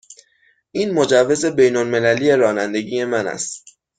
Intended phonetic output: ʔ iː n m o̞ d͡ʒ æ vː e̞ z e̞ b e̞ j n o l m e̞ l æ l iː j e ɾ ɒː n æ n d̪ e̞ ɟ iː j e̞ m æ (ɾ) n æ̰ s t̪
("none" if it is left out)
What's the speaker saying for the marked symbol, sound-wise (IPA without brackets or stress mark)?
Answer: none